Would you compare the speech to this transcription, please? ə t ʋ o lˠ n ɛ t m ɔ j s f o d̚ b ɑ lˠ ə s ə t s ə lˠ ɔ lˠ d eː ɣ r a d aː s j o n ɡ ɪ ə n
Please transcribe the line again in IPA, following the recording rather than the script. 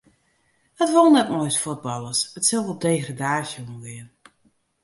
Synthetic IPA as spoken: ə t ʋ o lˠ n ɛ t m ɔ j s f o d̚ b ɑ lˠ ə s ə t s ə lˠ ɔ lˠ d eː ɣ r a d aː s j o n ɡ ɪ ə n